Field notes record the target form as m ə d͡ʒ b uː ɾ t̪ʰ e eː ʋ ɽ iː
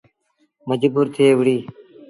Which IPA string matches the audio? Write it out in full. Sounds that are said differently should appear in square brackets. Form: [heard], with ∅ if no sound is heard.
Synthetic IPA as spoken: m ə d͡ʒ b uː ɾ t̪ʰ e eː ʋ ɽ iː